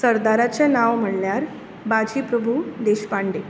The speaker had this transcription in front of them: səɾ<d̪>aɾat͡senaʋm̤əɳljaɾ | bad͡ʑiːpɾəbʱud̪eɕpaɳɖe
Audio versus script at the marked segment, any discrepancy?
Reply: no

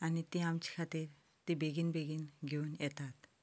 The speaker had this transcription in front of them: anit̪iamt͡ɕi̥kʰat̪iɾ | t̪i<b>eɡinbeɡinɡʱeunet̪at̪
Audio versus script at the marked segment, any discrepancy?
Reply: no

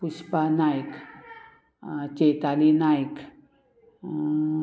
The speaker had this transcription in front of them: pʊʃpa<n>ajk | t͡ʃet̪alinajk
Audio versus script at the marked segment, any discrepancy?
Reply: no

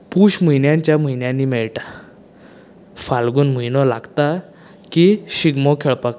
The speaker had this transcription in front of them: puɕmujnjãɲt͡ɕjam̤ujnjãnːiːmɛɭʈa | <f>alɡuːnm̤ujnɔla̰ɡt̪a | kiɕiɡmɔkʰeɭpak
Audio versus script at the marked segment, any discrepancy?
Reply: no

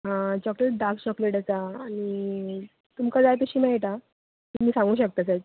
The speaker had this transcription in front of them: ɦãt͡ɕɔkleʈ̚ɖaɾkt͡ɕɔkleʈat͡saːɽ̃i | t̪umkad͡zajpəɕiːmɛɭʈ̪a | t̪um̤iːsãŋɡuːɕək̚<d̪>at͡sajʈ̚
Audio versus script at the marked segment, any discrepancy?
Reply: yes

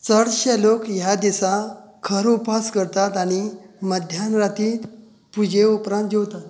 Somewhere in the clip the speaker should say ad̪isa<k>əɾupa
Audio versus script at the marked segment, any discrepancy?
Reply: yes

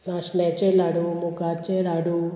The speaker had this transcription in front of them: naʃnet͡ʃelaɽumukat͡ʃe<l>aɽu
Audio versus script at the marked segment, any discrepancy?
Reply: yes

